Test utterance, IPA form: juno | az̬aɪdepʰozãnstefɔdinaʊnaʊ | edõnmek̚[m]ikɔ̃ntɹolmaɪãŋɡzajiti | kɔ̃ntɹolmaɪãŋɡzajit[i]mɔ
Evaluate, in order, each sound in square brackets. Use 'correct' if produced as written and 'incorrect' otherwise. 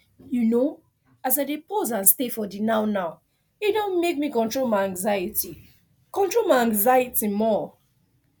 correct, correct

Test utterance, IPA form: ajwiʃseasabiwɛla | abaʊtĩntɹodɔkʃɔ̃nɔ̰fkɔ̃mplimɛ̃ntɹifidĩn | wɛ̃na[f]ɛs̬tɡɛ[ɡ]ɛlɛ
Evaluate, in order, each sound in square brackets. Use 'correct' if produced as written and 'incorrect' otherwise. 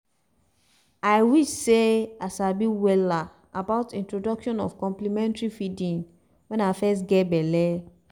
correct, incorrect

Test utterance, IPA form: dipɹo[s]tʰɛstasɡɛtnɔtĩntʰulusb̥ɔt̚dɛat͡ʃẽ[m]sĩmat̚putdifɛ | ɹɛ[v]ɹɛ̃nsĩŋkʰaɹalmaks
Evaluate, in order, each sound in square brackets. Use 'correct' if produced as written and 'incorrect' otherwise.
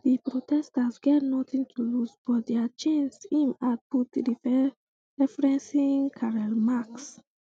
incorrect, incorrect, incorrect

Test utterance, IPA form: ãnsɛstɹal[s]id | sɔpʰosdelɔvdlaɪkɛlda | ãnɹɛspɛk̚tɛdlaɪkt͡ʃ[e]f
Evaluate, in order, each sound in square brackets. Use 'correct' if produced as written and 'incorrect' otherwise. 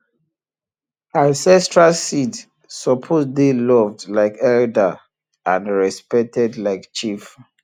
correct, incorrect

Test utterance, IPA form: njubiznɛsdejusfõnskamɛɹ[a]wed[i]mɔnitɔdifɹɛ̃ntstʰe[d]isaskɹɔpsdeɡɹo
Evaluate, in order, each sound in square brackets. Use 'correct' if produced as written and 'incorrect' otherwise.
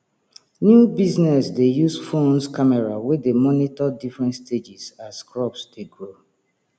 correct, incorrect, incorrect

